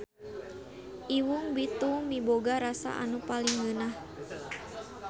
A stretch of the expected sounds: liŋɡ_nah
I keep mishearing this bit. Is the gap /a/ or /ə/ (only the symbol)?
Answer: ə